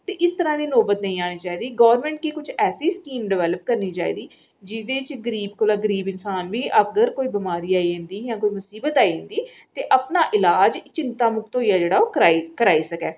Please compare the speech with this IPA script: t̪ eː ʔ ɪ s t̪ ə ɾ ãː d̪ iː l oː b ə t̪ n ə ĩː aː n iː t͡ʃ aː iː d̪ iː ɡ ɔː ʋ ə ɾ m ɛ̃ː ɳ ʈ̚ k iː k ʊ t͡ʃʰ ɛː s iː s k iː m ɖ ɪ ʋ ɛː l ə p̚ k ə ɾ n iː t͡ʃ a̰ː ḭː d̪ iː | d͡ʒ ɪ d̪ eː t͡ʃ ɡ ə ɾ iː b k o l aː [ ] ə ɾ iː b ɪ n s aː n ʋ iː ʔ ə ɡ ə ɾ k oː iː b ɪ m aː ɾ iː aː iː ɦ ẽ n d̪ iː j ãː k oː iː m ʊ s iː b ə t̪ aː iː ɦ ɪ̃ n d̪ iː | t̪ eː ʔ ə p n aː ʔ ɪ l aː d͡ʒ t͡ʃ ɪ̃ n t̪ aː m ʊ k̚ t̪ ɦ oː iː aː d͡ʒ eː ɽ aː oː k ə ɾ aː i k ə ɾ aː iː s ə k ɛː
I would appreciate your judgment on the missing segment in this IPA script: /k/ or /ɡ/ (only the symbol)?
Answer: ɡ